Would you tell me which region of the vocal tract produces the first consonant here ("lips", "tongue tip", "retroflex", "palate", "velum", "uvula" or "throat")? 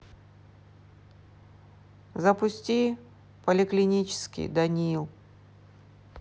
tongue tip